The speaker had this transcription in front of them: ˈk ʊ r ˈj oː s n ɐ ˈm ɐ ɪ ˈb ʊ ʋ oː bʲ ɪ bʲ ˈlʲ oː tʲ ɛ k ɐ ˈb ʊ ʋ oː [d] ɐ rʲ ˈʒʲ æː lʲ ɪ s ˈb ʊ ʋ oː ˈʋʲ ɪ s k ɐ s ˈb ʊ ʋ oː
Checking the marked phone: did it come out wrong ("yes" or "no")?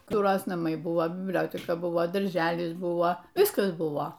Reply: no